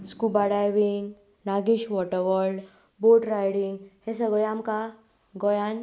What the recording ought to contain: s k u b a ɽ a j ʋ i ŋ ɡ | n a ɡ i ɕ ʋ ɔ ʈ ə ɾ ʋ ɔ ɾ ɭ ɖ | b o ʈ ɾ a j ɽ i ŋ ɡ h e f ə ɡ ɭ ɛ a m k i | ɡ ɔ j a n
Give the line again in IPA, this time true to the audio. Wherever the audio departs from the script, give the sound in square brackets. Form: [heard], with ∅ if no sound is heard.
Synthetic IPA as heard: s k u b a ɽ a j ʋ i ŋ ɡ | n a ɡ i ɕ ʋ ɔ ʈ ə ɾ ʋ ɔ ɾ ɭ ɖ | b o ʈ ɾ a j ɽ i ŋ ɡ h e [s] ə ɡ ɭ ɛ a m k [a] | ɡ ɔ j a n